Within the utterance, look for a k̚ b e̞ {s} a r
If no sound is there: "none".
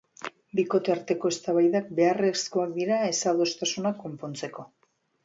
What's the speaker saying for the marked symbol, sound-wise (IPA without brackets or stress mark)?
none